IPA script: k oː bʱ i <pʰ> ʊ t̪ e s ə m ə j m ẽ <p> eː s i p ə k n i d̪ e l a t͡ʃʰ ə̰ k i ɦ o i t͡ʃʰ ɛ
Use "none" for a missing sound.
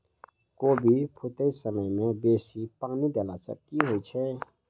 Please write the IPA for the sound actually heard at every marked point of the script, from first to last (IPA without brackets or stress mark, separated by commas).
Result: pʰ, b